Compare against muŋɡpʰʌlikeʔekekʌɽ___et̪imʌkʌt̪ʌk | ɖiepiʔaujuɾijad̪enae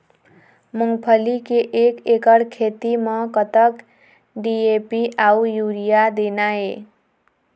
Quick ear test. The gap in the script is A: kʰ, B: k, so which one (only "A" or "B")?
A